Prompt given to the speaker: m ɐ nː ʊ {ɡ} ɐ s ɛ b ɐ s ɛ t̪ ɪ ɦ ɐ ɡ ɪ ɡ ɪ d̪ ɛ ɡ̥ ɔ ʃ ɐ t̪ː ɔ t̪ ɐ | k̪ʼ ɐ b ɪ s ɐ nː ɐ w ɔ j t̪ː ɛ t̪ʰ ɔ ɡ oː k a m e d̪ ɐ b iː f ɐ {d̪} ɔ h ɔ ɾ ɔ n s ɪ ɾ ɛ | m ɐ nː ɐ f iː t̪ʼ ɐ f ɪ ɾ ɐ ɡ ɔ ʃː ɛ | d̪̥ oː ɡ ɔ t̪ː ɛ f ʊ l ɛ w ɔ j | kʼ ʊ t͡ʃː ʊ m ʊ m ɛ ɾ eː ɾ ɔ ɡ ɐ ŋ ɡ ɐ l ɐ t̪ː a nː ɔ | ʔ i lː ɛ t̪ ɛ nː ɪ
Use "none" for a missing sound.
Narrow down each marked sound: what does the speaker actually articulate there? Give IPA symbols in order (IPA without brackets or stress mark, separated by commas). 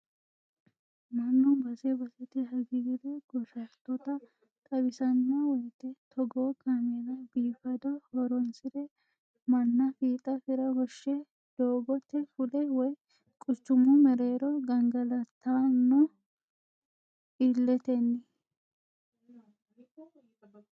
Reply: b, d̪